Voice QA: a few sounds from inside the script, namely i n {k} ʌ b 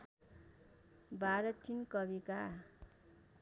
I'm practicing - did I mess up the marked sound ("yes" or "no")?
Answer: no